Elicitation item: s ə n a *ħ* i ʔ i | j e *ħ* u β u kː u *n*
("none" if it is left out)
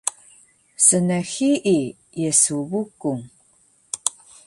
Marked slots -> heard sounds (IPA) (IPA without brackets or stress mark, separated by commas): x, s, ŋ